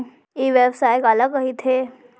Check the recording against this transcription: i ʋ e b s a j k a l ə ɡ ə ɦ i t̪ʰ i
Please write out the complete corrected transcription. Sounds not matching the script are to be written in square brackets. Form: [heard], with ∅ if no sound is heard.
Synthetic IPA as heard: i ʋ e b s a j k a l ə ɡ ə ɦ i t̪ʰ [e]